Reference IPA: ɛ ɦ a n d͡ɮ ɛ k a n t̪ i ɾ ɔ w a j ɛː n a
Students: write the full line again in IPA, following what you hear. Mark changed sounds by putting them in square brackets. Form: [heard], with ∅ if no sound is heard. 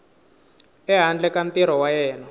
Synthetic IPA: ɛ ɦ a n d͡ɮ ɛ k a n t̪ i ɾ ɔ w a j ɛː n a

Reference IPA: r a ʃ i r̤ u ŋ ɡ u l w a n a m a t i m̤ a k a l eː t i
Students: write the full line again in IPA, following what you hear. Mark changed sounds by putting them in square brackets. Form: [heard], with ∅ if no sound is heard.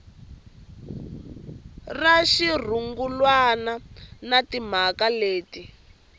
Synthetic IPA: r a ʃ i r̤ u ŋ ɡ u l w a n a [n] a t i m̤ a k a l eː t i

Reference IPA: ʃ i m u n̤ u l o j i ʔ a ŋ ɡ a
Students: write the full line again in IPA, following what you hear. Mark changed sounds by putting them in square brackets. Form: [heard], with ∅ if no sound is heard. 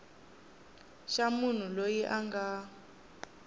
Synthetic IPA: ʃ [a] m u n̤ u l o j i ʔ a ŋ ɡ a

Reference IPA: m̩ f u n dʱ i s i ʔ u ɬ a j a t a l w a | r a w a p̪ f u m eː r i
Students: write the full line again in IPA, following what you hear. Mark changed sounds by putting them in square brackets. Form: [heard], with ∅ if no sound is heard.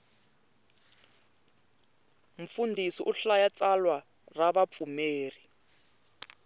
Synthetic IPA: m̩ f u n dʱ i s i ʔ u ɬ a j a [t͡s] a l w a | r a [β] a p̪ f u m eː r i

